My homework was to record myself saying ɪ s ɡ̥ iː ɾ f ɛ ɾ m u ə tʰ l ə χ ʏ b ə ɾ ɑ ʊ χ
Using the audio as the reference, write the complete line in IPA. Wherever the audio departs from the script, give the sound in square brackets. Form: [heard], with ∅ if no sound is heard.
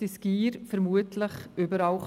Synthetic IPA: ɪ s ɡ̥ iː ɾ f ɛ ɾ m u ə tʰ l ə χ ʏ b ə ɾ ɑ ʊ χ